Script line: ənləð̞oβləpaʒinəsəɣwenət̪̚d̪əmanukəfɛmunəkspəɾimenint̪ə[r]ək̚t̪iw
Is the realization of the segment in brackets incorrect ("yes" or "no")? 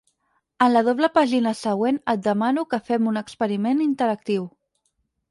yes